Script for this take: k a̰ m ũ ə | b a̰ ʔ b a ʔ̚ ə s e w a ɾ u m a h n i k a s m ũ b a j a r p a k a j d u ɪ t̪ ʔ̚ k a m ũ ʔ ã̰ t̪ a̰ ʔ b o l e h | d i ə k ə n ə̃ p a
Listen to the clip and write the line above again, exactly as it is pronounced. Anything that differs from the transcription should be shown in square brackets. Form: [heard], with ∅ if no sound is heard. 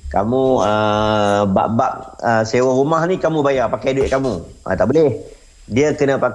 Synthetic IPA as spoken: k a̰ m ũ ə | b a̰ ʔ b a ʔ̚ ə s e w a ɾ u m a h n i k a [∅] m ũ b a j a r p a k a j d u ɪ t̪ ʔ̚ k a m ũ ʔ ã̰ t̪ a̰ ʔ b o l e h | d i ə k ə n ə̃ p a